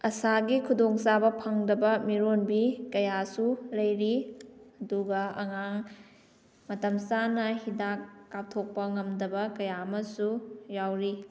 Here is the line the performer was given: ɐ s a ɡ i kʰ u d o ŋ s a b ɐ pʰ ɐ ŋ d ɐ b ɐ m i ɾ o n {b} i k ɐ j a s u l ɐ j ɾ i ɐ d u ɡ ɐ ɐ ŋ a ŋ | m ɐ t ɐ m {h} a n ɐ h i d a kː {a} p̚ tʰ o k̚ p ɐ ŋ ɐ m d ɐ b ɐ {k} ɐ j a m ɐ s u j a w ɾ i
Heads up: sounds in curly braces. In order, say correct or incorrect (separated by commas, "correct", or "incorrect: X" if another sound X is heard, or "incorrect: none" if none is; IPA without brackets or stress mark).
correct, incorrect: s, correct, correct